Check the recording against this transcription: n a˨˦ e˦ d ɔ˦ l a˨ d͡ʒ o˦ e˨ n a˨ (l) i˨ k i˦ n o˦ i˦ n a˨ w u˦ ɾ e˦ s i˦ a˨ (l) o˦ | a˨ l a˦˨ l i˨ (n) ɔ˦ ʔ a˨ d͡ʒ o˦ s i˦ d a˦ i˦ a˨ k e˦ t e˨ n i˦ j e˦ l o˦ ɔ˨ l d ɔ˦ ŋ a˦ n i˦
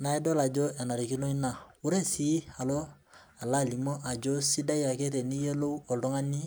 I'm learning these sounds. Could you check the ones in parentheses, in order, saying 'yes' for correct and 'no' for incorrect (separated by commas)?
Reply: no, yes, no